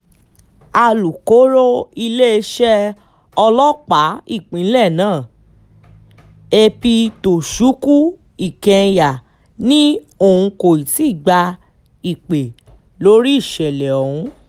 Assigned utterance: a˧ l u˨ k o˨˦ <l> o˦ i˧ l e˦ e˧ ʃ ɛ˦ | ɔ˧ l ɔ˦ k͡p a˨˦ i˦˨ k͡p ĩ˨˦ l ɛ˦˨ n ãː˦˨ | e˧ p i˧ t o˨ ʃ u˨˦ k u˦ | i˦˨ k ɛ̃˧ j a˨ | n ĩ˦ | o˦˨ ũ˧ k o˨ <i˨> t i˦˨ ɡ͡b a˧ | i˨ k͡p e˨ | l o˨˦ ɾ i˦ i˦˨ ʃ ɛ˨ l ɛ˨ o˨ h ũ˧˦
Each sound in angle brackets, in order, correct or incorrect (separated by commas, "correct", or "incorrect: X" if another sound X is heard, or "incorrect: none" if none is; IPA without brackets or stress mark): incorrect: ɾ, correct